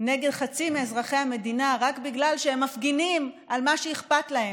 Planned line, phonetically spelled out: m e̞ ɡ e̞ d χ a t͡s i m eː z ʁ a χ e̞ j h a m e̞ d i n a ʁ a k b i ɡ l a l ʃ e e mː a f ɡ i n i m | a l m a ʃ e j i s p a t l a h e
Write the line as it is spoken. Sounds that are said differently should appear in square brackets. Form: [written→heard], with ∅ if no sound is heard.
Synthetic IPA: [m→n] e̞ ɡ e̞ d χ a t͡s i m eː z ʁ a χ e̞ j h a m e̞ d i n a ʁ a k b i ɡ l a l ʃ e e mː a f ɡ i n i m | a l m a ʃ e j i [s→χ] p a t l a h e